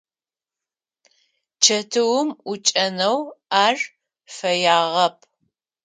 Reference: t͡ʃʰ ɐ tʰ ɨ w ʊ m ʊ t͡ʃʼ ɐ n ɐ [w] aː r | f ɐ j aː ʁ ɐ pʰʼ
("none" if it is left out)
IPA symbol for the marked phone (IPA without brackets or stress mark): w